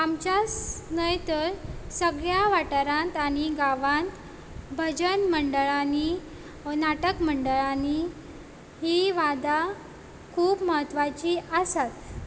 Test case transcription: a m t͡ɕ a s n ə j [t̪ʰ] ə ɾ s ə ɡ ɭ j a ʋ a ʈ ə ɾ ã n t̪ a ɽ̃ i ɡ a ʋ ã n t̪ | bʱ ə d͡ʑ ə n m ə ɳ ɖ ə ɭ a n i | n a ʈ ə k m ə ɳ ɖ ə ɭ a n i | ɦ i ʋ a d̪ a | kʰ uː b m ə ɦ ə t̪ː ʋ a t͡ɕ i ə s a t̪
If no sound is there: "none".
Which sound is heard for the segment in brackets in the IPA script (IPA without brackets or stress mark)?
t̪